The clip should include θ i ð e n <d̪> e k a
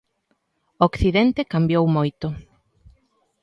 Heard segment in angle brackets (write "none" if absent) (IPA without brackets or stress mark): t̪